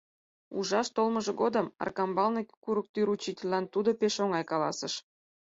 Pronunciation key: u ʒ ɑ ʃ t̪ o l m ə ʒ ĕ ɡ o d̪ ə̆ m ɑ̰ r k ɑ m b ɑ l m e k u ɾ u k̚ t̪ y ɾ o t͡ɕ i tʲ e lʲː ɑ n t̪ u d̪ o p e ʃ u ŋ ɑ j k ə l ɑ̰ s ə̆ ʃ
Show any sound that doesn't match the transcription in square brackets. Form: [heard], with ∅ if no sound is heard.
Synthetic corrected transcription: u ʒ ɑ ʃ t̪ o l m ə ʒ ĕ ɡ o d̪ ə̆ m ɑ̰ r k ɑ m b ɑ l [n] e k u ɾ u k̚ t̪ y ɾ [u] t͡ɕ i tʲ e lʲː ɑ n t̪ u d̪ o p e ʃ [o] ŋ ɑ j k [ɑ] l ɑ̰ s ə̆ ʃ